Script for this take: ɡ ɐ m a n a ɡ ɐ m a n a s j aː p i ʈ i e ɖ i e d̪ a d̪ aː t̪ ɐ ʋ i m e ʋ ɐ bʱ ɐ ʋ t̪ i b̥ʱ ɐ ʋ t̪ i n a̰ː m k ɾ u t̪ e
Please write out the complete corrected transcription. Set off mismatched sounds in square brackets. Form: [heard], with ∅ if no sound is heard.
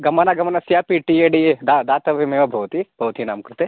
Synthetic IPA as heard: ɡ ɐ m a n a ɡ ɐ m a n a s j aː p i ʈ i e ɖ i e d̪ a d̪ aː t̪ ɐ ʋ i m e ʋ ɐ bʱ ɐ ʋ t̪ i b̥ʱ ɐ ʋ t̪ i n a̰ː m k ɾ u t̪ e